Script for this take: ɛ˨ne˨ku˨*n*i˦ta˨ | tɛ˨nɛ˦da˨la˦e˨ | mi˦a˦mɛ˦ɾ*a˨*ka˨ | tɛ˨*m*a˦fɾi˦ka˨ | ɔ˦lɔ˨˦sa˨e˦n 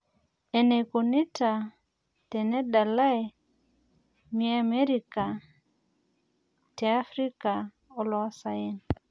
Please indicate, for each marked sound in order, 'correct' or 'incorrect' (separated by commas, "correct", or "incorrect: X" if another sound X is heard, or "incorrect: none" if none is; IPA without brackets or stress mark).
correct, incorrect: i˨, incorrect: none